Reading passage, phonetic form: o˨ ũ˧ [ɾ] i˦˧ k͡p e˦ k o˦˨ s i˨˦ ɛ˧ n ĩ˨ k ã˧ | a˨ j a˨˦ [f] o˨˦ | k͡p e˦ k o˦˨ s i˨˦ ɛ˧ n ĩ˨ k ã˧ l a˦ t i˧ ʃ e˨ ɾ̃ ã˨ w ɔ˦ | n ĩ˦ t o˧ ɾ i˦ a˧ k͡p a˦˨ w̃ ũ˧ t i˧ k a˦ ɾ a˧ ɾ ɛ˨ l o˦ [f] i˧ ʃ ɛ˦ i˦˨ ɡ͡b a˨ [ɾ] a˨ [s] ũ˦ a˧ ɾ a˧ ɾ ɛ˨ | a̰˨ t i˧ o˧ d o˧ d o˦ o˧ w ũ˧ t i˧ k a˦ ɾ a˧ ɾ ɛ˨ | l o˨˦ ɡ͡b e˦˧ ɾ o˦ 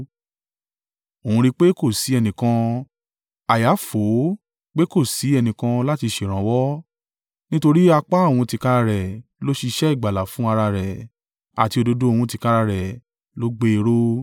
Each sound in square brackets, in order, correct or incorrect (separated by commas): correct, correct, incorrect, incorrect, incorrect